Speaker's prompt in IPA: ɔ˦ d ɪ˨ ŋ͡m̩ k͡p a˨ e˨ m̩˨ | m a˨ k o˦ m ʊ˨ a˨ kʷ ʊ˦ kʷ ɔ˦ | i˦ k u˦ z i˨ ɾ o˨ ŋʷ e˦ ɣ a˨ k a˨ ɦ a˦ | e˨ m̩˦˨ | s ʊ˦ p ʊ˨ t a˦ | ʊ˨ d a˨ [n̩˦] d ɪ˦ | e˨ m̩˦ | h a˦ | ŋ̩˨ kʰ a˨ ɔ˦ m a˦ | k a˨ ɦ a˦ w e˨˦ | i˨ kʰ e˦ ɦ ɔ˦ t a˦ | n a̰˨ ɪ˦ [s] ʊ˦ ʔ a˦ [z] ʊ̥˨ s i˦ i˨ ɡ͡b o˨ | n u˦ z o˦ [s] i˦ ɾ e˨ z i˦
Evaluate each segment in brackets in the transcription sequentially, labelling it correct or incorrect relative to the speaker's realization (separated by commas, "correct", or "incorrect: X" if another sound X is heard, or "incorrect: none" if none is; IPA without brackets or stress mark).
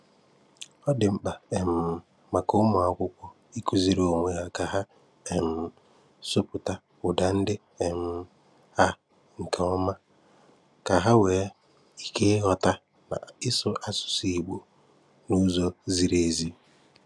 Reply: correct, correct, incorrect: s, incorrect: z